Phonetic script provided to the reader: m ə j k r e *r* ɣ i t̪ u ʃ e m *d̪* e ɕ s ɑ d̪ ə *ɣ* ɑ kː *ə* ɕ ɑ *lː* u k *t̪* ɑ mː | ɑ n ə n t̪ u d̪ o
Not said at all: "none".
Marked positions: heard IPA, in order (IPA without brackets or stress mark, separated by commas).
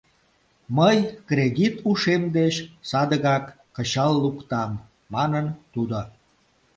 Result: none, d̪, ɣ, ə, lː, t̪